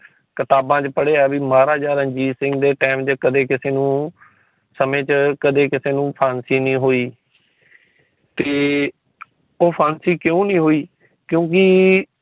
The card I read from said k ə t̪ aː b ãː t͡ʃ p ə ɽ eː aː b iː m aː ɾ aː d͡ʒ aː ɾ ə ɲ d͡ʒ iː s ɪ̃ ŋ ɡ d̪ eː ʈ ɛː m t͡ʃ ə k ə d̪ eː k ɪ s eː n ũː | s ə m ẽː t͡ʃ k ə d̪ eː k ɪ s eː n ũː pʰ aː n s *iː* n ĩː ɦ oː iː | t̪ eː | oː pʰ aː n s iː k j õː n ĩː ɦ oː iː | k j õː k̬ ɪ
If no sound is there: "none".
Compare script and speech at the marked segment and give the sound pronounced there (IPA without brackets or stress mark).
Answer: iː